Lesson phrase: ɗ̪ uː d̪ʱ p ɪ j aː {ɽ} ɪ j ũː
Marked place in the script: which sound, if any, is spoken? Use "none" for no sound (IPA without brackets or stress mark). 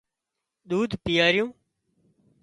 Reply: ɾ